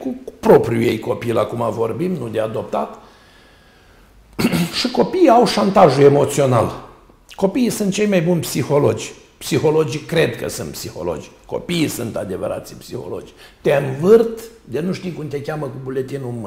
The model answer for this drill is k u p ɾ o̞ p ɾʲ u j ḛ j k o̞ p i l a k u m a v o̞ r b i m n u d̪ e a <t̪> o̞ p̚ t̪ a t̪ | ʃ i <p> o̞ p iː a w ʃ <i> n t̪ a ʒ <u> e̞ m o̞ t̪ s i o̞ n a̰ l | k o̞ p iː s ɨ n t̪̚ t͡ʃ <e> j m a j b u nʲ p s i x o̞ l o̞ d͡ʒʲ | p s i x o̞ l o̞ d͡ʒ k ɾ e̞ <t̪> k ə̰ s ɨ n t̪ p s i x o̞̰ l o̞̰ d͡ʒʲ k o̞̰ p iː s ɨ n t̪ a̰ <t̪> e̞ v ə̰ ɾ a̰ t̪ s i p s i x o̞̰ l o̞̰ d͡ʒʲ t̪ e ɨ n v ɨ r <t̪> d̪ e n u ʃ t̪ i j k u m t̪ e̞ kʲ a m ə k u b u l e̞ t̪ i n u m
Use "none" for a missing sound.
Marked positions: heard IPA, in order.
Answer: d̪, k, a, u, e, d̪, d̪, t̪

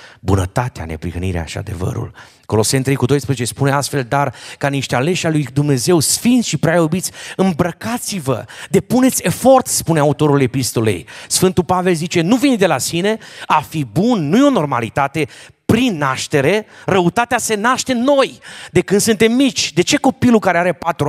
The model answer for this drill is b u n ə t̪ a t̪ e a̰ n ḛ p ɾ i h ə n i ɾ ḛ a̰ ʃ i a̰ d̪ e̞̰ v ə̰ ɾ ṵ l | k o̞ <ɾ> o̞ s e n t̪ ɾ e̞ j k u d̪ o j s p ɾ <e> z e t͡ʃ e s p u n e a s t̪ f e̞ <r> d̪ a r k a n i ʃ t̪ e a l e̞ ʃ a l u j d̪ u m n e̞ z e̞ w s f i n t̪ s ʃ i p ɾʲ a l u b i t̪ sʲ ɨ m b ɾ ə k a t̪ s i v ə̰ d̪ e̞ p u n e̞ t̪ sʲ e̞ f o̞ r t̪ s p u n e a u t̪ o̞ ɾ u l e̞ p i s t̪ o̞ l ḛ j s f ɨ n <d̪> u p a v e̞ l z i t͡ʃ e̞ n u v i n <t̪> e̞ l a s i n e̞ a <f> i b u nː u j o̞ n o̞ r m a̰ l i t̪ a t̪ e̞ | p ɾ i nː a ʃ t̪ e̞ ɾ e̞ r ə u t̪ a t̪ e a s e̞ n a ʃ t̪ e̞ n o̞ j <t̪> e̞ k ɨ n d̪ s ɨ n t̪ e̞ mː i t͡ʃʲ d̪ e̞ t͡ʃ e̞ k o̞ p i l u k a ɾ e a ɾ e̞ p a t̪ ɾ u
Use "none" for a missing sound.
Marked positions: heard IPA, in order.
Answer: l, e, l, t̪, d̪, f, d̪

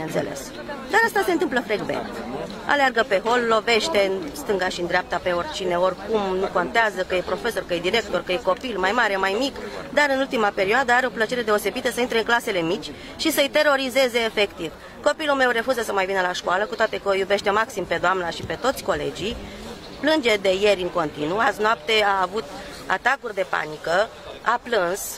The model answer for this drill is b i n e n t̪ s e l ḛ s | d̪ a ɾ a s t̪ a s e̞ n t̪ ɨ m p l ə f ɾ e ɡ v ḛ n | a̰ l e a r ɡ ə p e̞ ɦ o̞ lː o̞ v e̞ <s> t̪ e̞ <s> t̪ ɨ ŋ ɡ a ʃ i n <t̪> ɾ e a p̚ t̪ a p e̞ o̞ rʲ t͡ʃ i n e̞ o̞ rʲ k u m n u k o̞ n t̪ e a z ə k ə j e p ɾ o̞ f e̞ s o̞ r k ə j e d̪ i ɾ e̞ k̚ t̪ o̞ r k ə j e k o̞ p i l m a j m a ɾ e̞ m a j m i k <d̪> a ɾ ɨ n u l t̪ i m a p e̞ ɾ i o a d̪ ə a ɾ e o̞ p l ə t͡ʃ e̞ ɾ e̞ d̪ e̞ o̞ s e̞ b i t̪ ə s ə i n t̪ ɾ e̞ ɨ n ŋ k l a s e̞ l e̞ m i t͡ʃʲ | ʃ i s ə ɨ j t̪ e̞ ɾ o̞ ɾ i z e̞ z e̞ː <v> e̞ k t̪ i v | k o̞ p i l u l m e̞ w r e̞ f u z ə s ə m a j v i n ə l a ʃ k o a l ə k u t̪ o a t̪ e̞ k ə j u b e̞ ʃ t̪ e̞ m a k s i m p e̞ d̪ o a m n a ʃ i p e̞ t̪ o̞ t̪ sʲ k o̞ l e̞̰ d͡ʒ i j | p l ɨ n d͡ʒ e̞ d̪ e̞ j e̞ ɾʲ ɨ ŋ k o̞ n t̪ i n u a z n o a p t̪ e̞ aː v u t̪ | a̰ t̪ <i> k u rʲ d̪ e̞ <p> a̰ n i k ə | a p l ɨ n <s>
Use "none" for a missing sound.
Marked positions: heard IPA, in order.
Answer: ʃ, s, d̪, d̪, f, a, p, s

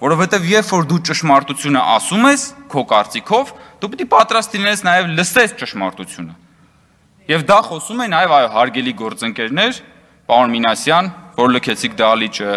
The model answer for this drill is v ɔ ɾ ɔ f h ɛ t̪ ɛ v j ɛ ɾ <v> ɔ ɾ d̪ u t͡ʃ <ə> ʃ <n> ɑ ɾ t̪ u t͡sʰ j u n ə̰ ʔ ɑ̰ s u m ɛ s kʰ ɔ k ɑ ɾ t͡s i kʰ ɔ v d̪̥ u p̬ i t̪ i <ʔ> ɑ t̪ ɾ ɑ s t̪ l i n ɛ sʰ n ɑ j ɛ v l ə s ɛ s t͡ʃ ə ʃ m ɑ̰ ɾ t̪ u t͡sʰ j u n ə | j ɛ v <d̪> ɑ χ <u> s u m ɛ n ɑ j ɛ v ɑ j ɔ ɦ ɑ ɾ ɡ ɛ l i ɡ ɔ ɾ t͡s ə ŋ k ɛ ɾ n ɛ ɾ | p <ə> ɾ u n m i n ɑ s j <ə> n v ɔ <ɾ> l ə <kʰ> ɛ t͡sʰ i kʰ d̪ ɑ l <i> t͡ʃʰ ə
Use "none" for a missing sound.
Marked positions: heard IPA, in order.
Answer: f, ə, m, p, d̪, ɔ, ɑ, ɑ, ɾ, kʰ, i

